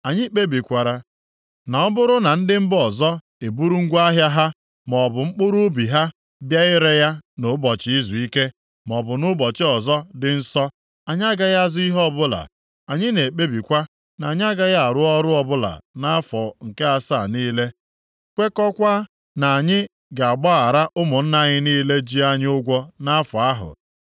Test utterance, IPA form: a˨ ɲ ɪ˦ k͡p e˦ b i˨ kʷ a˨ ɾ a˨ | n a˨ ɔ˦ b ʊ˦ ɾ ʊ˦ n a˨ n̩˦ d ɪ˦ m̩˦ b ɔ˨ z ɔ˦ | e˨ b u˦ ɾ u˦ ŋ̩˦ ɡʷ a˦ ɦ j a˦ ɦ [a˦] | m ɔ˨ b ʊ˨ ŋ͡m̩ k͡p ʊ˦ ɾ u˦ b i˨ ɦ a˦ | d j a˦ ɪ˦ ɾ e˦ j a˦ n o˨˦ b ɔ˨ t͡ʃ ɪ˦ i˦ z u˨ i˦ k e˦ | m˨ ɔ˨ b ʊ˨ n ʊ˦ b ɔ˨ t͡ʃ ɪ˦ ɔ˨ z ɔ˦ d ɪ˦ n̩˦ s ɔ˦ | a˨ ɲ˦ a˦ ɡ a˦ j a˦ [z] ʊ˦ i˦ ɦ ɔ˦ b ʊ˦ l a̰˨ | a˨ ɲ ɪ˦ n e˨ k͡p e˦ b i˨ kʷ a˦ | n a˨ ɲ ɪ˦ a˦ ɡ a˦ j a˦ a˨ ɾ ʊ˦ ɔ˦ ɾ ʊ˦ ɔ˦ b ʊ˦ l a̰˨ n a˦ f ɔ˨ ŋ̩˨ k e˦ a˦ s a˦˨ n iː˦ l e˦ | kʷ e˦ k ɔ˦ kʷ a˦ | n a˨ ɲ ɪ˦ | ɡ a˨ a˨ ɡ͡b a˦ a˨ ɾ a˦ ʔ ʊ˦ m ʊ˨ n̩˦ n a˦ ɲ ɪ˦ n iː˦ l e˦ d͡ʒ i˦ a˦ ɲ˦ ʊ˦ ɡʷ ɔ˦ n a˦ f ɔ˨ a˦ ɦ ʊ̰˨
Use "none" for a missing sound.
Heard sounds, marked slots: a˦, z

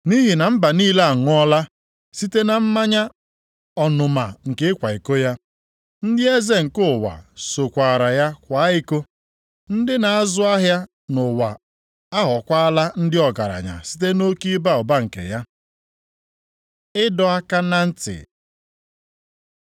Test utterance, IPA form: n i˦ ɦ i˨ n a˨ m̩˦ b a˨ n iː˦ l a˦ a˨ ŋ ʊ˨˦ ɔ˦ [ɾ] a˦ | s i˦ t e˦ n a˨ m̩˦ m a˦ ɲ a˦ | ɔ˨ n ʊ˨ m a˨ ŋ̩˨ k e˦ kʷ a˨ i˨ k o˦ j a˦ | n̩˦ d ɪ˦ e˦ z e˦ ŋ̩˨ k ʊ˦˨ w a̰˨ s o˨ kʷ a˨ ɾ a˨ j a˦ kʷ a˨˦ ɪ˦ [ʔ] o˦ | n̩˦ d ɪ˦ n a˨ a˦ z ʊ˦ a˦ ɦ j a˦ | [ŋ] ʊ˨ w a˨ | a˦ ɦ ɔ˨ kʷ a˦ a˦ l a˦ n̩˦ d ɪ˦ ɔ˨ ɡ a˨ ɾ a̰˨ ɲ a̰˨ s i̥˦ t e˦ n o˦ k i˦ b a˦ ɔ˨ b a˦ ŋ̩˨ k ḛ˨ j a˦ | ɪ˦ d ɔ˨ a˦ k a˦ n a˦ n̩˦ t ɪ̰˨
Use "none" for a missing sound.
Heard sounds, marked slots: l, k, n

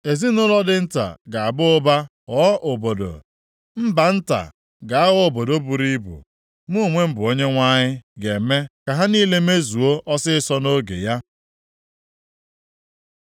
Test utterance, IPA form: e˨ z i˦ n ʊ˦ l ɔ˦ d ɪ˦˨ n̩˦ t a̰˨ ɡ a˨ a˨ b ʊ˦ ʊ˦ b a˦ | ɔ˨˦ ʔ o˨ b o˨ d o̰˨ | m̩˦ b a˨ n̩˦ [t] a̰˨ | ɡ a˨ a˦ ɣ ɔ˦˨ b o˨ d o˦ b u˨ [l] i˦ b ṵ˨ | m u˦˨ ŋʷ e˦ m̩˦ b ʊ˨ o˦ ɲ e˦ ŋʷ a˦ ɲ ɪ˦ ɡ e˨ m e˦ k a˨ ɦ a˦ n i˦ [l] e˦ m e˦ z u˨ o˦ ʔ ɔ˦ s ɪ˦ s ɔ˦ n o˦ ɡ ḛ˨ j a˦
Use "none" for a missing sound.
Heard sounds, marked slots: t, ɾ, l

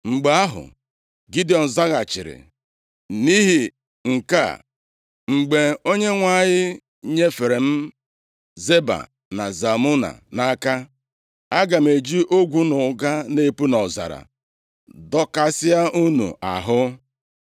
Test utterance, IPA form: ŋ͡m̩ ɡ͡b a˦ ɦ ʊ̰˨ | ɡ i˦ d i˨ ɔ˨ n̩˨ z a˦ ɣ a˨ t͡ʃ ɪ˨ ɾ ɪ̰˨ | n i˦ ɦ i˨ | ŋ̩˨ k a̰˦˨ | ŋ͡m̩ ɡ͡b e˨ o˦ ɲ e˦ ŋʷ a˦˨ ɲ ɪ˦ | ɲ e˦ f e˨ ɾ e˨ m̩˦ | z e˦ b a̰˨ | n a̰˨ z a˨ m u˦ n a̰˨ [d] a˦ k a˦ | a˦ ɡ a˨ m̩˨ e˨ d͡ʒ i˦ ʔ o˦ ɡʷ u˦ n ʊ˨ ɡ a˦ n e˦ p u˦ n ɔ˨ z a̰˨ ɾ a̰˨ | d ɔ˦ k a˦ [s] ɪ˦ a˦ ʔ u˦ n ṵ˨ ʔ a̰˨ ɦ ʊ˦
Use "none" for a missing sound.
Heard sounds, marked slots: n, s

